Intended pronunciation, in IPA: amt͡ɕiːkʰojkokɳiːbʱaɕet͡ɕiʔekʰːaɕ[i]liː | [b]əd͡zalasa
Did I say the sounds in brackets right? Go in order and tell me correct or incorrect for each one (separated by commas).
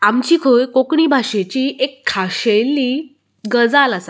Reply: incorrect, incorrect